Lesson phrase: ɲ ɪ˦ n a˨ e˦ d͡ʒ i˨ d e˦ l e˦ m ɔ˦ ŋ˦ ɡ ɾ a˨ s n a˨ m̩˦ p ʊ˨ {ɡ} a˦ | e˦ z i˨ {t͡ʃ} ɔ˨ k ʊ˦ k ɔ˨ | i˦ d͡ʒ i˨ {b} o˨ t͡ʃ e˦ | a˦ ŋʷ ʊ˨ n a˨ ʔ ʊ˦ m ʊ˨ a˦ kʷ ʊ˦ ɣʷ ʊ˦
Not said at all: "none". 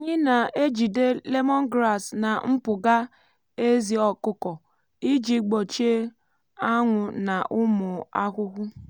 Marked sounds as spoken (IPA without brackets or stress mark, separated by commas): ɡ, none, ɡ͡b